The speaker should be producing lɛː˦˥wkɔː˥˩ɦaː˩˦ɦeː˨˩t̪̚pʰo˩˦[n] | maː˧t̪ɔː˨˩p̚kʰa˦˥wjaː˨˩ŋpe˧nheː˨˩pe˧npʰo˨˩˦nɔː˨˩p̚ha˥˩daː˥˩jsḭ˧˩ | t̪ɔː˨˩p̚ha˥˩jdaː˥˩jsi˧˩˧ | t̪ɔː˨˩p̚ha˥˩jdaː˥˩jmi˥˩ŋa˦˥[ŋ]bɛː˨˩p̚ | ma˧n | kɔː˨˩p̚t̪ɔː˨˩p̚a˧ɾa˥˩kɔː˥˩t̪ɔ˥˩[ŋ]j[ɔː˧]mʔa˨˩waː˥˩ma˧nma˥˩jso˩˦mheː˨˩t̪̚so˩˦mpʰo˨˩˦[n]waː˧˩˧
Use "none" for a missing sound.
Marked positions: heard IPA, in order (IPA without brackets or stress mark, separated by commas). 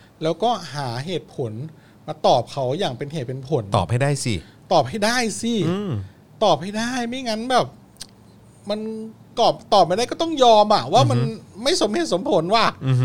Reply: n, n, ŋ, ɔː˧, n